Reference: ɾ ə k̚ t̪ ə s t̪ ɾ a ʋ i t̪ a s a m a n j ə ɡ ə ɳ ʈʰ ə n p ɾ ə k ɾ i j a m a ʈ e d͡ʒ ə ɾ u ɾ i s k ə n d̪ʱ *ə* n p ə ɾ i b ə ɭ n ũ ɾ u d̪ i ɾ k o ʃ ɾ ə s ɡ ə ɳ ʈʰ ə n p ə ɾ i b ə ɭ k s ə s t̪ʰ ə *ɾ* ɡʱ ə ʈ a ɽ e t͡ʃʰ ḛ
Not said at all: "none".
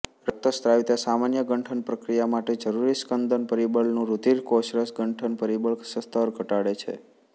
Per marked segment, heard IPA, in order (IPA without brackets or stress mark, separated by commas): ə, ɾ